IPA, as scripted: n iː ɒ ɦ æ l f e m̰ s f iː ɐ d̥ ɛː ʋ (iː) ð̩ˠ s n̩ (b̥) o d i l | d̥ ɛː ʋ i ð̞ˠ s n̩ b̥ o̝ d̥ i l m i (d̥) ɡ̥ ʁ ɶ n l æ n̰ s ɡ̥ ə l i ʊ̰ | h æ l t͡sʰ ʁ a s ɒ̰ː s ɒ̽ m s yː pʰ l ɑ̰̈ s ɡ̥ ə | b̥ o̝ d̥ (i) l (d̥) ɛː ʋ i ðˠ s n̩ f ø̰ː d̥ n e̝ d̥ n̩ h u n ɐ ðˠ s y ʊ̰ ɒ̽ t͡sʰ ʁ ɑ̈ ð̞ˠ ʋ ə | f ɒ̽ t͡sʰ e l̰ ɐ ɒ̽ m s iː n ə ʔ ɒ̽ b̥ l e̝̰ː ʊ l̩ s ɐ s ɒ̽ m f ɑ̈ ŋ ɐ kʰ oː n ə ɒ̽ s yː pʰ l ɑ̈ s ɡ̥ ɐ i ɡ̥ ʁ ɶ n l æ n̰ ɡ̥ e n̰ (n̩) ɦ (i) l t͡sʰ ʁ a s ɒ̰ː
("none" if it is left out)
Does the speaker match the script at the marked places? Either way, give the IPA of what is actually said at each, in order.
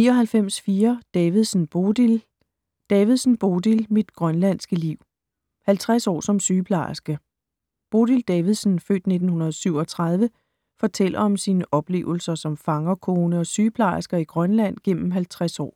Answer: i, b̥, d̥, i, d̥, m̩, æ

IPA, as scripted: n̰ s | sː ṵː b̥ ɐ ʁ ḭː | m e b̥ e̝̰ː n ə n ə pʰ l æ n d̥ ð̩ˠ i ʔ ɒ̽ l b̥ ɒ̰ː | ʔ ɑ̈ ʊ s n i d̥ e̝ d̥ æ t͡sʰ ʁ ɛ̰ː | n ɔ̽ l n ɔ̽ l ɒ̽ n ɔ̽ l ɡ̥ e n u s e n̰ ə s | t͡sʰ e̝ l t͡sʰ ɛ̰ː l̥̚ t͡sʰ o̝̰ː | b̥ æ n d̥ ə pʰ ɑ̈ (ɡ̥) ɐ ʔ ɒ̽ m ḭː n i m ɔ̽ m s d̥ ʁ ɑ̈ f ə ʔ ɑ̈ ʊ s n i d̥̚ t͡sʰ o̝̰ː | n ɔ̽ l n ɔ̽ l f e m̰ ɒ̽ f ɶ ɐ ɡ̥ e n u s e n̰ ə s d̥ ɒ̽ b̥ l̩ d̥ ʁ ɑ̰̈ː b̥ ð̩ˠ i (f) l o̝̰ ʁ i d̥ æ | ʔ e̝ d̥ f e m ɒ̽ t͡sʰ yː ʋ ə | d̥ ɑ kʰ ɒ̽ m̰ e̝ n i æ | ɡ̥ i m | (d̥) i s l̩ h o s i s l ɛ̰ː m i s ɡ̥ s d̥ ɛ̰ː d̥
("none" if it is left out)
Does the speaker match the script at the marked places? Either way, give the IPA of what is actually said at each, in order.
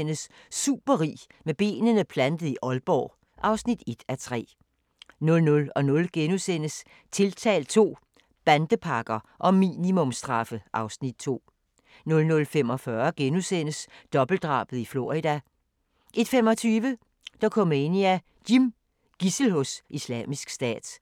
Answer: ɡ̥, f, ɡ̥

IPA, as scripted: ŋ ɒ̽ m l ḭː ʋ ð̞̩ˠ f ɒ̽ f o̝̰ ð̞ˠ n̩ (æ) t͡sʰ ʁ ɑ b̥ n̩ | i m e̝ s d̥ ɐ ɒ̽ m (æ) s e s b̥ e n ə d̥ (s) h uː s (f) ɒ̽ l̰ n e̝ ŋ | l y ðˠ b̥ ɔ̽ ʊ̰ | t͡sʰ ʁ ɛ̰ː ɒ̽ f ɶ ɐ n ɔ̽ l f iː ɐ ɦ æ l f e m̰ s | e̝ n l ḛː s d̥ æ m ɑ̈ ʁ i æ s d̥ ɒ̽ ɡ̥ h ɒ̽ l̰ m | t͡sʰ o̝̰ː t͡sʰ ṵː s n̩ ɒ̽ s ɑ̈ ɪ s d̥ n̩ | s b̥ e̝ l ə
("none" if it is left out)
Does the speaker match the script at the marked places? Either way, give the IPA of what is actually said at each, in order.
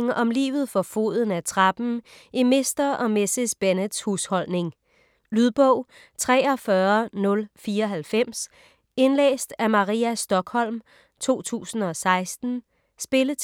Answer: æ, e, s, h

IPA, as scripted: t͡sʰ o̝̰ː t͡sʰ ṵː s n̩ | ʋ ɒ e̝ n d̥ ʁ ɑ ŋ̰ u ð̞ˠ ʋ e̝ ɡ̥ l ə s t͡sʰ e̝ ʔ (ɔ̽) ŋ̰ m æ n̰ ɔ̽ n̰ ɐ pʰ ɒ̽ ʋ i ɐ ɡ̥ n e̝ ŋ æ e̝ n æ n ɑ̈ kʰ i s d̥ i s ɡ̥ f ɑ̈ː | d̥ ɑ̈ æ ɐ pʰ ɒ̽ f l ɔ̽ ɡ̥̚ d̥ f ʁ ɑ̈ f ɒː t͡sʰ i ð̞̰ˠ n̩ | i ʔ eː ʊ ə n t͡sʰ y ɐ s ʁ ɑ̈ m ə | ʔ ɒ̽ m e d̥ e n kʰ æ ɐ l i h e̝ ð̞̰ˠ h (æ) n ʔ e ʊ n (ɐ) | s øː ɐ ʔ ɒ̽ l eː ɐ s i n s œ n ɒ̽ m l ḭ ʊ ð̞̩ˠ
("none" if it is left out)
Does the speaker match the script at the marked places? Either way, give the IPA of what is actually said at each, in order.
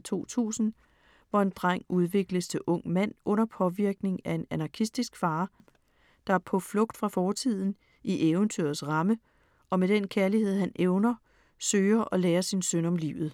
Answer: ɔ̽, æ, ɐ

